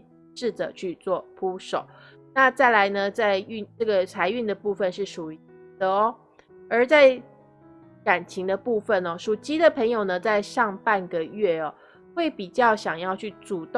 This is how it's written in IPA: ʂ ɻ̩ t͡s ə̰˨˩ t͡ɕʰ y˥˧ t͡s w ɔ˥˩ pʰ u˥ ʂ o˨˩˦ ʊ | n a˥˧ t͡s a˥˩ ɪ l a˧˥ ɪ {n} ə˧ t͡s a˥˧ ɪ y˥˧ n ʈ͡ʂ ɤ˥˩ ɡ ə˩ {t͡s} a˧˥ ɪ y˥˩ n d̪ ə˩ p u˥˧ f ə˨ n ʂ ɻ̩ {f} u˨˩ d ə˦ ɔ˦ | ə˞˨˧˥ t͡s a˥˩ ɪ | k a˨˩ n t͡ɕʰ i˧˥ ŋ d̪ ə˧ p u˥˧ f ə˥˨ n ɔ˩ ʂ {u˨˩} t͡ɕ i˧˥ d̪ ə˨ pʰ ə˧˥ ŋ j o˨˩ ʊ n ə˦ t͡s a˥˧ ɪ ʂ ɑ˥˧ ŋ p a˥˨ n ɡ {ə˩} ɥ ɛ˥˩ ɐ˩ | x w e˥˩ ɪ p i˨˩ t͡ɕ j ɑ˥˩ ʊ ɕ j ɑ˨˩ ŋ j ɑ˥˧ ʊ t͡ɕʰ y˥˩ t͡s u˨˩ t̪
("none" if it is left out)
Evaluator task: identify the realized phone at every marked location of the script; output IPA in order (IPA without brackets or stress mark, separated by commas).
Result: n, t͡sʰ, ʂ, u˨˩, ə˩